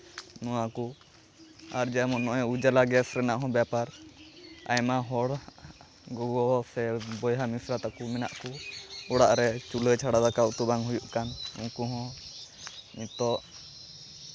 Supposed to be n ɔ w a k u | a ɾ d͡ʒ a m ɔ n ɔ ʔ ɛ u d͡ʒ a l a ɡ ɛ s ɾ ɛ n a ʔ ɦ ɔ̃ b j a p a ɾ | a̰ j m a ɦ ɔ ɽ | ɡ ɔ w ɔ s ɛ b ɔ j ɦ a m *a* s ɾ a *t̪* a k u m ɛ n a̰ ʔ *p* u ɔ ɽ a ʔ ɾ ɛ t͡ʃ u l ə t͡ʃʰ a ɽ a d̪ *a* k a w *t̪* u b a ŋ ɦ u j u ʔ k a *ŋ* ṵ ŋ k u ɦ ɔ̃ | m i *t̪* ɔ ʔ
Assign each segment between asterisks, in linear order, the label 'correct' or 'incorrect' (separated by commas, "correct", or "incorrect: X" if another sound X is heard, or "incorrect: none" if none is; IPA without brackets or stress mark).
incorrect: i, correct, incorrect: k, correct, correct, incorrect: n, correct